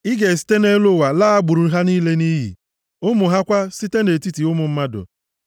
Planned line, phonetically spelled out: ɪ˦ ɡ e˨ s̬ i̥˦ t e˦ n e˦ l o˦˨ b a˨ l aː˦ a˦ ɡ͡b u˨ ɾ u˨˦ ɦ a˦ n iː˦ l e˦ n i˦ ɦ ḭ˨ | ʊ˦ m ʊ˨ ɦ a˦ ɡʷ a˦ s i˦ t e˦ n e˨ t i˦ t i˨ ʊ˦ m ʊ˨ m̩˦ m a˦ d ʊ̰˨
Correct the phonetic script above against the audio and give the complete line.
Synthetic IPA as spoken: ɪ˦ ɡ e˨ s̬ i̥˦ t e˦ n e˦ l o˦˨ w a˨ l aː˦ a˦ ɡ͡b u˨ ɾ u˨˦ ɦ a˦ n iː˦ l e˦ n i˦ ɦ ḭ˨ | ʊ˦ m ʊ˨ ɦ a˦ kʷ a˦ s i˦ t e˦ n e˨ t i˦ t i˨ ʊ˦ m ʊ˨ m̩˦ m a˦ d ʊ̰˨